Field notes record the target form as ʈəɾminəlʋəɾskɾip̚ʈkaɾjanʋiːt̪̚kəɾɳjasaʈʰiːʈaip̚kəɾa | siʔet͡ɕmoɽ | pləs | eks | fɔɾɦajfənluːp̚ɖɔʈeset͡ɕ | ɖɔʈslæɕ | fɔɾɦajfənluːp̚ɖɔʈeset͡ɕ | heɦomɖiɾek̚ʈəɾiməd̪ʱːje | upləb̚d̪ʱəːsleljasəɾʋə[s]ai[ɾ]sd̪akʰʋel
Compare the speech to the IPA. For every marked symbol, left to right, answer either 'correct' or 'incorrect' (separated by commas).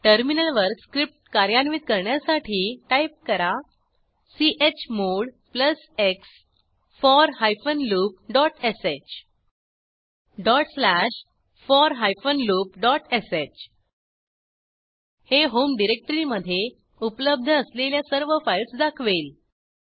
incorrect, incorrect